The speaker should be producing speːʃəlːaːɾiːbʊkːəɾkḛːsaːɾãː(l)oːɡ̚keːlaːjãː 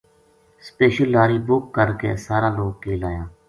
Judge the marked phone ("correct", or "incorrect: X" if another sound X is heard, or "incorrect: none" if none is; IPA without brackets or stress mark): correct